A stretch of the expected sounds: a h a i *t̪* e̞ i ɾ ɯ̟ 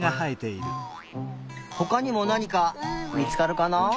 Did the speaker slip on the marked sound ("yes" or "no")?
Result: no